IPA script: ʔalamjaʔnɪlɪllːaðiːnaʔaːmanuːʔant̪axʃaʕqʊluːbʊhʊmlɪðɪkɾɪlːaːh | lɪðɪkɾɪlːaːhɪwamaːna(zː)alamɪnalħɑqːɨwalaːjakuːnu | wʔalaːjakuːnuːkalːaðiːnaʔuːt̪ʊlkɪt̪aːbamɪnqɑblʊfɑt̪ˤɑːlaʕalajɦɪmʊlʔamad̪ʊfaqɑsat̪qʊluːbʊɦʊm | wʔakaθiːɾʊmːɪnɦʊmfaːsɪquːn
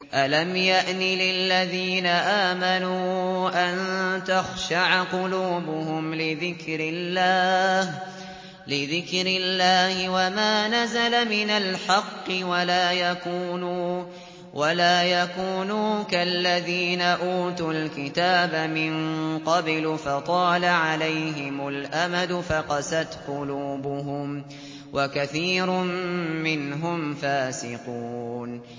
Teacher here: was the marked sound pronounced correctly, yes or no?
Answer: no